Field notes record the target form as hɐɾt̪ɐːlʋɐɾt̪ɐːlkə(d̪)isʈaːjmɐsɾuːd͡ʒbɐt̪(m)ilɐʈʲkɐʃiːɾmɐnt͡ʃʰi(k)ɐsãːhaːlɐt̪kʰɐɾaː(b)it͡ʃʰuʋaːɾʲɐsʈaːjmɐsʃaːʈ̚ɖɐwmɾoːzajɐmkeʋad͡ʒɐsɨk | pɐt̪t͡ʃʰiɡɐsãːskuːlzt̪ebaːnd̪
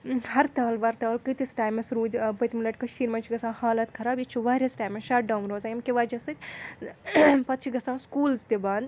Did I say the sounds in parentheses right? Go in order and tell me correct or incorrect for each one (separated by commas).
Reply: incorrect, correct, incorrect, correct